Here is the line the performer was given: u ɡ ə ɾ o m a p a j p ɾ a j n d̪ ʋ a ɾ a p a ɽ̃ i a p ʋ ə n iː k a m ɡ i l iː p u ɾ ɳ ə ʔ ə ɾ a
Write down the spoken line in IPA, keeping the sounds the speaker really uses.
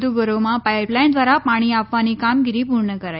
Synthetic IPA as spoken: u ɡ ə ɾ o m a p a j p l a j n d̪ ʋ a ɾ a p a ɽ̃ i a p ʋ a n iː k a m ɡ i ɾ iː p u ɾ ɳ ə k ə ɾ a